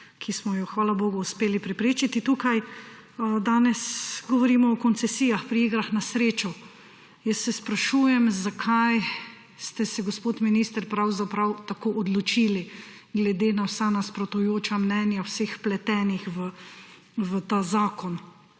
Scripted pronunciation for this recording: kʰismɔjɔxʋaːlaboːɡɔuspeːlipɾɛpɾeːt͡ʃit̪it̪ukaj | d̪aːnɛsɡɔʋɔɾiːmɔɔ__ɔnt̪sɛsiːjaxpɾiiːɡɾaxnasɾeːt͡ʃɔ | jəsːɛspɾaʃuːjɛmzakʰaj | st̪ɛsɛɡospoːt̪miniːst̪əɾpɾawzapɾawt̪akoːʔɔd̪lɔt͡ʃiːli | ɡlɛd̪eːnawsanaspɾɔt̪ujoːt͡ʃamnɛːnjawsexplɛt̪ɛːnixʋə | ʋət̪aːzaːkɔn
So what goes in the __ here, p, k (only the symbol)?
k